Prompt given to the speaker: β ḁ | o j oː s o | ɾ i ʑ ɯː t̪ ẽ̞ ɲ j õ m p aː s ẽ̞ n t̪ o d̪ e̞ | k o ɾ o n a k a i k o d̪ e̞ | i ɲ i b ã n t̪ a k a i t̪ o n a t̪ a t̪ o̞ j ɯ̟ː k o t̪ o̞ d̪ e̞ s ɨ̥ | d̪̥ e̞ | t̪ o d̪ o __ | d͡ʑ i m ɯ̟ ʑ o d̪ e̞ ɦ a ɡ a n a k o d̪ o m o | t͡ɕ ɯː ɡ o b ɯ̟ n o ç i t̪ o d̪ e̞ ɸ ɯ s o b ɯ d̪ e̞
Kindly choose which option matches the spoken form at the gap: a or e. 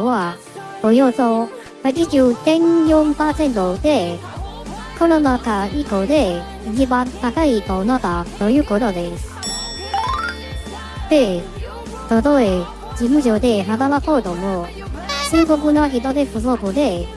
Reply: e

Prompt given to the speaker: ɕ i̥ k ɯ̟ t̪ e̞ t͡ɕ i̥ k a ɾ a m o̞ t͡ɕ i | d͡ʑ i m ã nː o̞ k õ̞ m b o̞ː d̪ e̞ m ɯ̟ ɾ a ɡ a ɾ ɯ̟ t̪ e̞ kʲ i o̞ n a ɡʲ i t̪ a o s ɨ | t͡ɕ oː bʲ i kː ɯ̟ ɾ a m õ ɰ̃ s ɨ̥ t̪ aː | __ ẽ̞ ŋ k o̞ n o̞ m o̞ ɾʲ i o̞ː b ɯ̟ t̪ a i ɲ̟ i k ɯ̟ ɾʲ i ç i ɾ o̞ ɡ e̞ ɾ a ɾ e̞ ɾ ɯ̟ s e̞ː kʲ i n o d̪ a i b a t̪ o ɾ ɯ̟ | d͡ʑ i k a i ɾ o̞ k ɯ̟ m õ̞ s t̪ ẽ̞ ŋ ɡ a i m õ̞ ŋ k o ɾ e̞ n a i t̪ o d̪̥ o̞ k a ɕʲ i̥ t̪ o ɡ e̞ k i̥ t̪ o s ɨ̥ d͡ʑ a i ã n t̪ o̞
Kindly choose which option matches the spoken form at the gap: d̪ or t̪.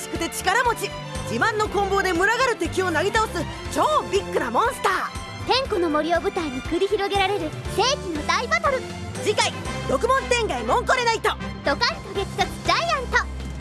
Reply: t̪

